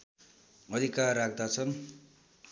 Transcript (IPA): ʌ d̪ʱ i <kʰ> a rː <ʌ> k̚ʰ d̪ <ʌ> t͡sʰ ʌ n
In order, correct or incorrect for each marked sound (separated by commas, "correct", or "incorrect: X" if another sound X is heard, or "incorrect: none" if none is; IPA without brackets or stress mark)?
incorrect: k, incorrect: a, incorrect: a